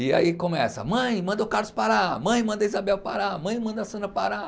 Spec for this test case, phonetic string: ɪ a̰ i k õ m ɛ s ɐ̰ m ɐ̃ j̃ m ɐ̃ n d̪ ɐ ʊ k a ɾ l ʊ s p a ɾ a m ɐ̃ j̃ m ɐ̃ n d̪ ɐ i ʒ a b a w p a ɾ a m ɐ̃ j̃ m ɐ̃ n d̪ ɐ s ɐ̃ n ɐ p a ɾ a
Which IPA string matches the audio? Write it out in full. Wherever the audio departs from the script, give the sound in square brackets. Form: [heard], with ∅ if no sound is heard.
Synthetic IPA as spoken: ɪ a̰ i k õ m ɛ s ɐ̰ m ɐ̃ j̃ m ɐ̃ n d̪ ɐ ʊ k a ɾ l ʊ s p a ɾ a m ɐ̃ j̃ m ɐ̃ n d̪ ɐ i [z] a b [ɛ] w p a ɾ a m ɐ̃ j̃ m ɐ̃ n d̪ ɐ s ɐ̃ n ɐ p a ɾ a